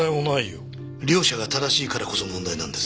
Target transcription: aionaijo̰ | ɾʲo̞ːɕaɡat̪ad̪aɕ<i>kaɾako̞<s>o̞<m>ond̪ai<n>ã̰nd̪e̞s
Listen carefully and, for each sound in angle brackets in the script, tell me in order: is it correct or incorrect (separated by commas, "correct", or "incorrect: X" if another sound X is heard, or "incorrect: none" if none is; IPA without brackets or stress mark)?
incorrect: iː, correct, correct, correct